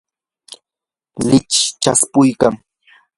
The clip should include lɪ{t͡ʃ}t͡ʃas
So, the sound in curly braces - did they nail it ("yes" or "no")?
yes